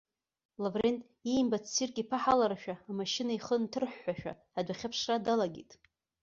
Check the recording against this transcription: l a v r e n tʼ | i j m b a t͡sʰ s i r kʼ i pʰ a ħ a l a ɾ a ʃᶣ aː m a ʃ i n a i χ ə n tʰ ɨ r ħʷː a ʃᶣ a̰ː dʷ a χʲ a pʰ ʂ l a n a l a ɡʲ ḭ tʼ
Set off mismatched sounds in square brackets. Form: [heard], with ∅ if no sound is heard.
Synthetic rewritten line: l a v r e n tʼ | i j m b a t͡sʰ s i r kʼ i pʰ a ħ a l a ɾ a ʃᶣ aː m a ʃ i n a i χ ə n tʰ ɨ r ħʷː a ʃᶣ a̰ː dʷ a χʲ a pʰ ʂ [r] a [d] a l a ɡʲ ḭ tʼ